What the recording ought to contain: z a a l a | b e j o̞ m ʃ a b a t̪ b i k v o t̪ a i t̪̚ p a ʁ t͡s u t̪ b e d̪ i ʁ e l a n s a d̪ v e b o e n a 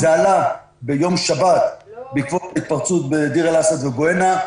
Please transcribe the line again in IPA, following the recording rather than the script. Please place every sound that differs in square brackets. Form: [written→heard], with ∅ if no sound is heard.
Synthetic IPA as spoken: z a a l a | b e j o̞ m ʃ a b a t̪ b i k v o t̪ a i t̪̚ p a ʁ t͡s u t̪ b e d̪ i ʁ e l a [n→∅] s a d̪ v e b o e n a